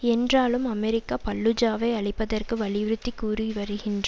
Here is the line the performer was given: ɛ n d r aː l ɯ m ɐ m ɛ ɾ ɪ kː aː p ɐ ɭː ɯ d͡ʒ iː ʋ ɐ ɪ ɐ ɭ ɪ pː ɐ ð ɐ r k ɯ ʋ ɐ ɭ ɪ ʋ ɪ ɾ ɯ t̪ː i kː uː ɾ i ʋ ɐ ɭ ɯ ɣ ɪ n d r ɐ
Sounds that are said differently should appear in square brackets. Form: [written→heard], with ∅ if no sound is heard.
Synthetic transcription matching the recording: ɛ n d r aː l ɯ m ɐ m ɛ ɾ ɪ kː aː p ɐ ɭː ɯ d͡ʒ [iː→aː] ʋ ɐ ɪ ɐ ɭ ɪ pː ɐ ð ɐ r k ɯ ʋ ɐ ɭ ɪ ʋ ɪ ɾ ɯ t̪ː i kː uː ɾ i ʋ ɐ [ɭ→ɾ] ɯ ɣ ɪ n d r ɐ